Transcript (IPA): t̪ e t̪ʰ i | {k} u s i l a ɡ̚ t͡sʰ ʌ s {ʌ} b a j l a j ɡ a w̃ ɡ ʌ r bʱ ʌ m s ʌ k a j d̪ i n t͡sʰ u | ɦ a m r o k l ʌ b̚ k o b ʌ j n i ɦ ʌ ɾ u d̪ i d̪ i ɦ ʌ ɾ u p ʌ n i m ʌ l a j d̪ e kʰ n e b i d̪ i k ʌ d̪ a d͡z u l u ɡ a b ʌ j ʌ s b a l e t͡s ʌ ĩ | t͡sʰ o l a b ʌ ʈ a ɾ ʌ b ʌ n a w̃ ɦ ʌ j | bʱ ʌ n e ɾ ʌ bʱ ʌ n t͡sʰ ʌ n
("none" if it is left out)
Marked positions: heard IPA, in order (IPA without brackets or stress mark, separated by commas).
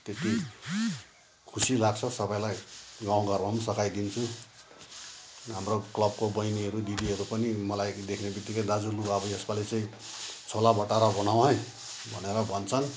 kʰ, ʌ